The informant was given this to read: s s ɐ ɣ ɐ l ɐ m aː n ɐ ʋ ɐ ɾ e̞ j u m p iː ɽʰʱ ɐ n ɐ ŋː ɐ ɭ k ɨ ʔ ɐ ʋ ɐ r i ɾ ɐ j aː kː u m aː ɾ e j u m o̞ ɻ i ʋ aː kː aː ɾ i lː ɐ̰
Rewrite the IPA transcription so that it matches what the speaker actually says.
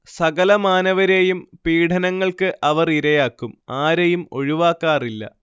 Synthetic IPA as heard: s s ɐ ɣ ɐ l ɐ m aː n ɐ ʋ ɐ ɾ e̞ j u m p iː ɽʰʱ ɐ n ɐ ŋː ɐ ɭ k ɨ ʔ ɐ ʋ ɐ r i ɾ ɐ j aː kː u m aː ɾ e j u m o̞ ɻ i ʋ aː kː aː r i lː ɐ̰

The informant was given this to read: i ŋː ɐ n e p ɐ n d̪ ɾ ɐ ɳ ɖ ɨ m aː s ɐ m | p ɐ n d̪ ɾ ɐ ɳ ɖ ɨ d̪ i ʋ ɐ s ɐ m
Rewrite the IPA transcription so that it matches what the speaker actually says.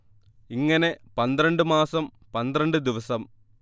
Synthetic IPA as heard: i ŋː ɐ n e p ɐ n d̪ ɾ ɐ ɳ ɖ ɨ m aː s ɐ m | p ɐ n d̪ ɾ ɐ ɳ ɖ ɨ d̪ i ʋ ɐ s ɐ m

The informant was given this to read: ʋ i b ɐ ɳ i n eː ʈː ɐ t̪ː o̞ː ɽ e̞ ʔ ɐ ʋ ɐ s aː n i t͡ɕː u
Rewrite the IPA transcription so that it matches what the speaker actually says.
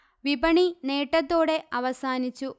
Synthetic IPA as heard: ʋ i b ɐ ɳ i n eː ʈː ɐ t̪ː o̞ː ɽ e̞ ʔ ɐ ʋ ɐ s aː n i t͡ɕː u

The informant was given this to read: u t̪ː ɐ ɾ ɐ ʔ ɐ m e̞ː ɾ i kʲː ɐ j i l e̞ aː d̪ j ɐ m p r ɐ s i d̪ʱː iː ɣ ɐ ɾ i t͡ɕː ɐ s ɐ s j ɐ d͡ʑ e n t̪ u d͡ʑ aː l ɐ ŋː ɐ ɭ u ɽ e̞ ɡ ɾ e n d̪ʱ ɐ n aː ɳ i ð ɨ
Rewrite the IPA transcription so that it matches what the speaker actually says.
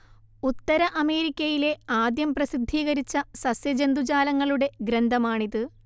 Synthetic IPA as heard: u t̪ː ɐ ɾ ɐ ʔ ɐ m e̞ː ɾ i kʲː ɐ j i l e̞ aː d̪ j ɐ m p r ɐ s i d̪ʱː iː ɣ ɐ ɾ i t͡ɕː ɐ s ɐ s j ɐ d͡ʑ e n d̪ u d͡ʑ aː l ɐ ŋː ɐ ɭ u ɽ e̞ ɡ ɾ e n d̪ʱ ɐ m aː ɳ i ð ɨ

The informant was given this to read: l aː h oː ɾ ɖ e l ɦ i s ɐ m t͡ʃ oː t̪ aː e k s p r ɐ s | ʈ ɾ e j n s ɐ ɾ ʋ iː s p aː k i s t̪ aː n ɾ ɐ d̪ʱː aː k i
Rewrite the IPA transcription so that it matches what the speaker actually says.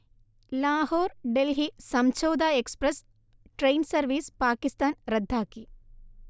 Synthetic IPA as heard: l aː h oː ɾ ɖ e l ɦ i s ɐ m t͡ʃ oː d̪ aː e k s p ɾ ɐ s | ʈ ɾ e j n s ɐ ɾ ʋ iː s p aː k i s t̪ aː n ɾ ɐ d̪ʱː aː k i

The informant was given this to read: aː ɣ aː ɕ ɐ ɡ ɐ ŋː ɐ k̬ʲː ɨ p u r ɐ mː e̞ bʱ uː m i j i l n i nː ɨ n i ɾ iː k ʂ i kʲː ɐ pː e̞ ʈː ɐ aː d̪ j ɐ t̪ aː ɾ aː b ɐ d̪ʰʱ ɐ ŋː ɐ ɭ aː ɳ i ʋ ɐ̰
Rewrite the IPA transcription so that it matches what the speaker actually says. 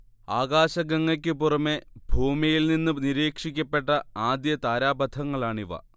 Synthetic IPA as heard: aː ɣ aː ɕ ɐ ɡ ɐ ŋː ɐ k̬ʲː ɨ p u r ɐ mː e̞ bʱ uː m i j i l n i nː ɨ n i ɾ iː k ʂ i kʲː ɐ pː e̞ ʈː ɐ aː d̪ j ɐ t̪ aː ɾ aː b ɐ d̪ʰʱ ɐ ŋː ɐ ɭ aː ɳ i ʋ ɐ̰

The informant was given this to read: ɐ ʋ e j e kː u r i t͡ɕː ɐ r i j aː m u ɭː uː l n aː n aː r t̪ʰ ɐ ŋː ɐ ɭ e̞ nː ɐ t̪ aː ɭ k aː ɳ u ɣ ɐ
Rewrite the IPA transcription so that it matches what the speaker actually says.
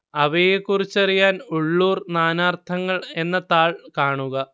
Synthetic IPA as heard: ɐ ʋ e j e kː u r i t͡ɕː ɐ r i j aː n u ɭː uː r n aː n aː r t̪ʰ ɐ ŋː ɐ ɭ e̞ nː ɐ t̪ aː ɭ k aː ɳ u ɣ ɐ

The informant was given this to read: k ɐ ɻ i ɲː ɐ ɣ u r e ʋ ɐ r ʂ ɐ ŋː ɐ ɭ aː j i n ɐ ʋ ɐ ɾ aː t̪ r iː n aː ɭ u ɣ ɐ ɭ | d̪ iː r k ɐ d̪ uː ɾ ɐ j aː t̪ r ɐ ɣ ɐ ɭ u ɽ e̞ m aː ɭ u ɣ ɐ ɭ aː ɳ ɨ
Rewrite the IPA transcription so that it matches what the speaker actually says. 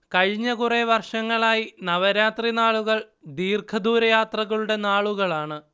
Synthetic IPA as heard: k ɐ ɻ i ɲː ɐ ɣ u r e ʋ ɐ r ʂ ɐ ŋː ɐ ɭ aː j i n ɐ ʋ ɐ ɾ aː t̪ r i n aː ɭ u ɣ ɐ ɭ | d̪ iː r kʰ ɐ d̪ uː ɾ ɐ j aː t̪ r ɐ ɣ ɐ ɭ u ɽ e̞ n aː ɭ u ɣ ɐ ɭ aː ɳ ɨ

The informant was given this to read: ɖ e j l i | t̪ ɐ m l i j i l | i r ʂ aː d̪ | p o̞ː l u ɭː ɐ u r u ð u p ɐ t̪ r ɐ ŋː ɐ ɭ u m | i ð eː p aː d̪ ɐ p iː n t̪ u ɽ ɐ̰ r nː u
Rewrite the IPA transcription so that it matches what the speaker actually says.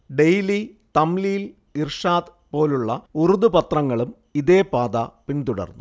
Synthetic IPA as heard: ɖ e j l i | t̪ ɐ m l i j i l | i r ʂ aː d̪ | p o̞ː l u ɭː ɐ u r u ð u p ɐ t̪ r ɐ ŋː ɐ ɭ u m | i ð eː p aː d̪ ɐ p i n t̪ u ɽ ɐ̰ r nː u

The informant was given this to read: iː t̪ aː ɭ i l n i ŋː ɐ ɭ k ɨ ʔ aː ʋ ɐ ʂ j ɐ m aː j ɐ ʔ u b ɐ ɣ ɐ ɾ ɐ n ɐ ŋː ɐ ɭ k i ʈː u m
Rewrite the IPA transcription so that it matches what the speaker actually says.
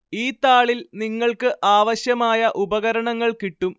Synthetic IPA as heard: iː t̪ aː ɭ i l n i ŋː ɐ ɭ k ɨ ʔ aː ʋ ɐ ɕ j ɐ m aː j ɐ ʔ u b ɐ ɣ ɐ ɾ ɐ ɳ ɐ ŋː ɐ ɭ k i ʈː u m

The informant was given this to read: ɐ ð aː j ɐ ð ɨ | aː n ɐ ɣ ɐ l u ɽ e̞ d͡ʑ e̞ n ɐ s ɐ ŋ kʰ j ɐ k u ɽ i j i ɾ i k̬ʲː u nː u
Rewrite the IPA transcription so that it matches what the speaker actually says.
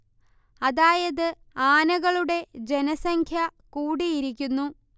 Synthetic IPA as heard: ɐ ð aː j ɐ ð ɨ | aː n ɐ ɣ ɐ ɭ u ɽ e̞ d͡ʑ e̞ n ɐ s ɐ ŋ kʰ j ɐ k uː ɽ i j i ɾ i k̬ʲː u nː u

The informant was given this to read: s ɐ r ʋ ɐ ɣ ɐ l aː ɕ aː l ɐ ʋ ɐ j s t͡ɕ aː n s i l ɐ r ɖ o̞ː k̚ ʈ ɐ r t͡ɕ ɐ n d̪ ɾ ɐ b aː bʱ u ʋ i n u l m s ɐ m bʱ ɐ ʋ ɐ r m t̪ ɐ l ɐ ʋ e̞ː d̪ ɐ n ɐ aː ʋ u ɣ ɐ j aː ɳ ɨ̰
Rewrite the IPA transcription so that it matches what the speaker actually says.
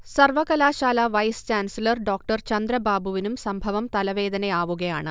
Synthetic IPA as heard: s ɐ r ʋ ɐ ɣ ɐ l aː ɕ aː l ɐ ʋ ɐ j s t͡ɕ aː n s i l ɐ r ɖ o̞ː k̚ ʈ ɐ r t͡ɕ ɐ n d̪ ɾ ɐ b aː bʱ u ʋ i n u m s ɐ m bʱ ɐ ʋ ɐ m t̪ ɐ l ɐ ʋ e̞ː d̪ ɐ n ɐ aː ʋ u ɣ ɐ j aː ɳ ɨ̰

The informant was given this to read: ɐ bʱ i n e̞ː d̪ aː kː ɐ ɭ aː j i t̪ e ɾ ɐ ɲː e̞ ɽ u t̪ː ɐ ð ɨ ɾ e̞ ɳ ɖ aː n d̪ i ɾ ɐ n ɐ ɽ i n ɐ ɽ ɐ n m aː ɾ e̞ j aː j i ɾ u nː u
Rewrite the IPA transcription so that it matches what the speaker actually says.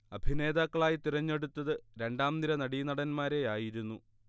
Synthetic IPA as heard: ɐ bʱ i n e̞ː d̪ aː kː ɐ ɭ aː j i t̪ i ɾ ɐ ɲː e̞ ɽ u t̪ː ɐ ð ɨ ɾ e̞ ɳ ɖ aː m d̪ i ɾ ɐ n ɐ ɽ i n ɐ ɽ ɐ n m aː ɾ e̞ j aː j i ɾ u nː u

